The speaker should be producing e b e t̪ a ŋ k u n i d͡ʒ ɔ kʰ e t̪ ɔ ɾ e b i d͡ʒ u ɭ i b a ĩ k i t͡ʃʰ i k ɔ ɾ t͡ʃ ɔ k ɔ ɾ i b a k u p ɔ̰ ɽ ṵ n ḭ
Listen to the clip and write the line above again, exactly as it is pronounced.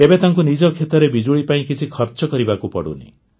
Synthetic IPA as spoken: e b e t̪ a ŋ k u n i d͡ʒ ɔ kʰ e t̪ ɔ ɾ e b i d͡ʒ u ɭ i p a ĩ k i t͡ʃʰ i kʰ ɔ ɾ t͡ʃ ɔ k ɔ ɾ i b a k u p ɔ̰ ɽ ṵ n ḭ

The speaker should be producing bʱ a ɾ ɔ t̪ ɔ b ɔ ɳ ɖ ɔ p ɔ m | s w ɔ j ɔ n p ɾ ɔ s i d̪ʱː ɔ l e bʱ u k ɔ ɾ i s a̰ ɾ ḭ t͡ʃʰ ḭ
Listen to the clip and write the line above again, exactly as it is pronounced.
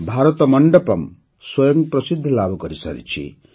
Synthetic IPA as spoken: bʱ a ɾ ɔ t̪ ɔ m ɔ ɳ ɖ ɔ p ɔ m | s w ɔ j ɔ ŋ p ɾ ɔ s i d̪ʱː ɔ l a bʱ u k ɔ ɾ i s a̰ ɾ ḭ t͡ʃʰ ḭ

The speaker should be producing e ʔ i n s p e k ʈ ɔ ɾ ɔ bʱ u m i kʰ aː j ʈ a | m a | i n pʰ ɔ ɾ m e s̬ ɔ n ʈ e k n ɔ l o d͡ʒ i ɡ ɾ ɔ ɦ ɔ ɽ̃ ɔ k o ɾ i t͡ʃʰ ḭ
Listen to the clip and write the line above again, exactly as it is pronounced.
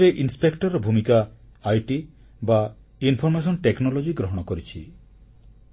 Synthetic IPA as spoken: e ʔ i n s p e k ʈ ɔ ɾ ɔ bʱ u m i k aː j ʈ i | b a | i n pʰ ɔ ɾ m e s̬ ɔ n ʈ e k n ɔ l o d͡ʒ i ɡ ɾ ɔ ɦ ɔ ɽ̃ ɔ k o ɾ i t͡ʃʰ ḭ

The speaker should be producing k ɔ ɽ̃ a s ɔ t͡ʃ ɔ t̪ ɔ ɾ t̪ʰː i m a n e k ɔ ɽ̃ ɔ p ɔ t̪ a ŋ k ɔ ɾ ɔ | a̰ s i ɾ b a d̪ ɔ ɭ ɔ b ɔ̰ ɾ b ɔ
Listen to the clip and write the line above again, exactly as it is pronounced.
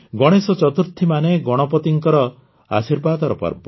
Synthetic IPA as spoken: ɡ ɔ ɽ̃ e s ɔ t͡ʃ ɔ t̪ u ɾ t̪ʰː i m a n e ɡ ɔ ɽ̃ ɔ p ɔ t̪ i ŋ k ɔ ɾ ɔ | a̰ s i ɾ b a d̪ ɔ ɾ ɔ p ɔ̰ ɾ b ɔ

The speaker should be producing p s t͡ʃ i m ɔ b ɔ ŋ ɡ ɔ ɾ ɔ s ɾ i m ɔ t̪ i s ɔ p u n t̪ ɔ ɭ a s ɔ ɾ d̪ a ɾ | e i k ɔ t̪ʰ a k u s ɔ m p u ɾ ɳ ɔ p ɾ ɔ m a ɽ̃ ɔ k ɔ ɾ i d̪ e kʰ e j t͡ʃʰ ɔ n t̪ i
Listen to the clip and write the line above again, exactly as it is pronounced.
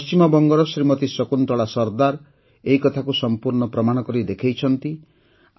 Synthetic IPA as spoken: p s t͡ʃ i m ɔ b ɔ ŋ ɡ ɔ ɾ ɔ s ɾ i m ɔ t̪ i s ɔ k u n t̪ ɔ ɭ a s ɔ ɾ d̪ a ɾ | e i k ɔ t̪ʰ a k u s ɔ m p u ɾ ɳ ɔ p ɾ ɔ m a ɽ̃ ɔ k ɔ ɾ i d̪ e kʰ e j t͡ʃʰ ɔ n t̪ i

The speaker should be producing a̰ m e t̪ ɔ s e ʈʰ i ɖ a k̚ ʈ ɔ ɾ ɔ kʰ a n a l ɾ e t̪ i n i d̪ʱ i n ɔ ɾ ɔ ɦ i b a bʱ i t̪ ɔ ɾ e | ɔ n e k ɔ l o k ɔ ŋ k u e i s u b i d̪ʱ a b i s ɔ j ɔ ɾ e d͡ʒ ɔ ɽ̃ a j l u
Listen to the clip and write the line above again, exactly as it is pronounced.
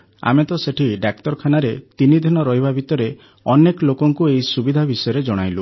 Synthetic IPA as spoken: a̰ m e t̪ ɔ s e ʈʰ i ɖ a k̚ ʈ ɔ ɾ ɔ kʰ a n a ɾ e t̪ i n i d̪ʱ i n ɔ ɾ ɔ ɦ i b a bʱ i t̪ ɔ ɾ e | ɔ n e k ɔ l o k ɔ ŋ k u e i s u b i d̪ʱ a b i s ɔ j ɔ ɾ e d͡ʒ ɔ ɽ̃ a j l u

